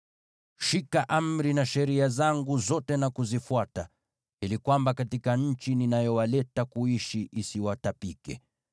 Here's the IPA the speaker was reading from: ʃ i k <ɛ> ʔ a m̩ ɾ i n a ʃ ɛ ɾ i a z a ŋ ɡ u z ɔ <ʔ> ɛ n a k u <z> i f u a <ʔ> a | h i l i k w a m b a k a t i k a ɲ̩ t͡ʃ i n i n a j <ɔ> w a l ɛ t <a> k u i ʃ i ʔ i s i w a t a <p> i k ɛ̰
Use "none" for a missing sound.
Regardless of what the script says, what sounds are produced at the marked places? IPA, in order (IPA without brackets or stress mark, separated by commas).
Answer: a, t, z, t, ɔ, a, p